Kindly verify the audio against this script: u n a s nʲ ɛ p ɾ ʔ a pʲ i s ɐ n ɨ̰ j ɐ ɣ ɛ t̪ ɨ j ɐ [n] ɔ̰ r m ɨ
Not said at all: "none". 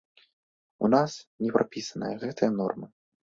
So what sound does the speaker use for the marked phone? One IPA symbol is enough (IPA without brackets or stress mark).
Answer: n